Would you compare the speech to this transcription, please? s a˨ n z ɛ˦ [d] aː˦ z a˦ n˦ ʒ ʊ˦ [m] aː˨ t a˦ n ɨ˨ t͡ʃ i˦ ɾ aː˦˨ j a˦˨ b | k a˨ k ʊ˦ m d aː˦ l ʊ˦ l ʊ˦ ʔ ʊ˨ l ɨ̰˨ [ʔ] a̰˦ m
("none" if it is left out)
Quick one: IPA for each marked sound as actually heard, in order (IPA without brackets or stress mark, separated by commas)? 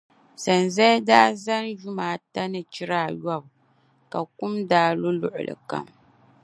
d, m, k